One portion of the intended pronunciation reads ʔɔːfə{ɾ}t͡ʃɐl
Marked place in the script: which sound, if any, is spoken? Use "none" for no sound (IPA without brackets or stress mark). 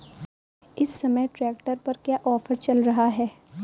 ɾ